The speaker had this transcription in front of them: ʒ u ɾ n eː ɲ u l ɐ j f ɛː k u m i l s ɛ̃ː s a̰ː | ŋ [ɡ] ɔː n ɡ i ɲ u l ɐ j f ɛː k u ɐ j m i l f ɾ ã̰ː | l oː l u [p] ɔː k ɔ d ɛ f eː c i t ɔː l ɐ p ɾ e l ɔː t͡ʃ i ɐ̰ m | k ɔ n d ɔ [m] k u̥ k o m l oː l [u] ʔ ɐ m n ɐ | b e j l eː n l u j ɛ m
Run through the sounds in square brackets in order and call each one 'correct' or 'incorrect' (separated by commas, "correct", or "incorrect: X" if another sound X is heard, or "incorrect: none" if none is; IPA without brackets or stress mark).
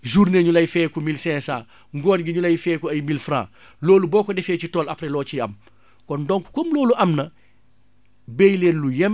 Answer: correct, incorrect: b, incorrect: ŋ, correct